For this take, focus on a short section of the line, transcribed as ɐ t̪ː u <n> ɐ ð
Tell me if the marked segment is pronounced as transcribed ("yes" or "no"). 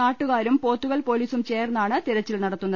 no